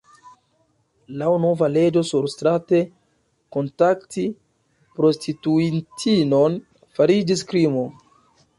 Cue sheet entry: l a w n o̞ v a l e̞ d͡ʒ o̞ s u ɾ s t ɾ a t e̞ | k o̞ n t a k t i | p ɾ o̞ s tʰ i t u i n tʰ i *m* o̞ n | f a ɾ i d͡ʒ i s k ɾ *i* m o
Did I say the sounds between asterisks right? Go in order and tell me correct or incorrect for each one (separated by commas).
incorrect, correct